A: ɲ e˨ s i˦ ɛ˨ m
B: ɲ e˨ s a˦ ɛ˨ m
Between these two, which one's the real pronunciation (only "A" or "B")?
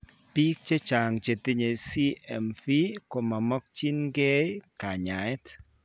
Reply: A